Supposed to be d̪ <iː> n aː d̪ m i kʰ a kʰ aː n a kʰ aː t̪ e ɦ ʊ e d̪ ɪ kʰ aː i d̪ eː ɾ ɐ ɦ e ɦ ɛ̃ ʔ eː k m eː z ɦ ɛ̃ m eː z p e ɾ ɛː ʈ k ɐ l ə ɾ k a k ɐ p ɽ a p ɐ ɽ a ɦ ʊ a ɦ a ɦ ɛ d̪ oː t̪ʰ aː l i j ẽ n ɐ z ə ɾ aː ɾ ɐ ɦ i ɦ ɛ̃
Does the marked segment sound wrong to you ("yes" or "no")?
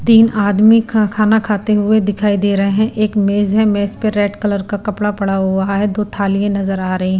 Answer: no